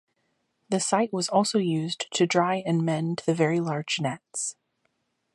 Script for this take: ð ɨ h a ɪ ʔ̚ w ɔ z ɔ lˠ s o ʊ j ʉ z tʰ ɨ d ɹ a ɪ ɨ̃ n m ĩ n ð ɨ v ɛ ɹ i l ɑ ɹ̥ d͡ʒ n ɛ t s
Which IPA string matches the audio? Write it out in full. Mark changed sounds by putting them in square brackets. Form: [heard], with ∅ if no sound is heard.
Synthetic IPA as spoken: ð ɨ [s] a ɪ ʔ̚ w [ʌ] z ɔ lˠ s o ʊ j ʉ z tʰ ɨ d ɹ a ɪ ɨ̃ n m [ɛ̃] n ð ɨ v ɛ ɹ i l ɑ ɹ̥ d͡ʒ n ɛ t s